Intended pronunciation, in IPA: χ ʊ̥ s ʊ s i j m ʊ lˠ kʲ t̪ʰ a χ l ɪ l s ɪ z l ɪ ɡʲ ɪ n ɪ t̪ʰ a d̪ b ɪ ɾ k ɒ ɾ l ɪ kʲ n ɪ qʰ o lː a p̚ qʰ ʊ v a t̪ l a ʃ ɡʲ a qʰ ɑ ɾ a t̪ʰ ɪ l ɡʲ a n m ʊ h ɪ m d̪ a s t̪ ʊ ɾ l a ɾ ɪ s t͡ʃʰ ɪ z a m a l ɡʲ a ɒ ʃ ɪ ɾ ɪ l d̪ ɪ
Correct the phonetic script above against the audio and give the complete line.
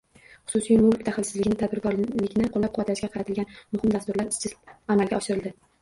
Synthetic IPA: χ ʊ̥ s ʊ s i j m ʊ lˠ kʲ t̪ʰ a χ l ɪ l s ɪ z l ɪ ɡʲ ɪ n ɪ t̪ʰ a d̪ b ɪ ɾ k ɒ ɾ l ɪ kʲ n ɪ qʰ o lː a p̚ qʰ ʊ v a t̪ l a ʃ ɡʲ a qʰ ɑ ɾ a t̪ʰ ɪ l ɡʲ a n m ʊ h ɪ m d̪ a s t̪ ʊ ɾ l a ɾ ɪ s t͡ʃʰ ɪ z a m a l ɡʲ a ɒ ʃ ɪ ɾ ɪ l d̪ ɪ